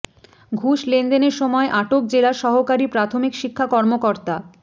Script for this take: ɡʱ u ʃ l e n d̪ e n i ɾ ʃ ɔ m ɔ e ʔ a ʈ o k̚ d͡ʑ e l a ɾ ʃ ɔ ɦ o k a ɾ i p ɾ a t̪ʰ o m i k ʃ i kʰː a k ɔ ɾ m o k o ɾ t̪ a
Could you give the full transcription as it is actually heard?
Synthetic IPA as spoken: ɡʱ u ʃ l e n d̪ e n e ɾ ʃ ɔ m ɔ e ʔ a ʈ o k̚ d͡ʑ e l a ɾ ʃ ɔ ɦ o k a ɾ i p ɾ a t̪ʰ o m i k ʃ i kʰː a k ɔ ɾ m o k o ɾ t̪ a